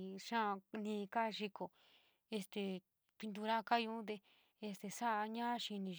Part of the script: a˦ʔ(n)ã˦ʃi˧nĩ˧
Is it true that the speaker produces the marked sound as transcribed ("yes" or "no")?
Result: no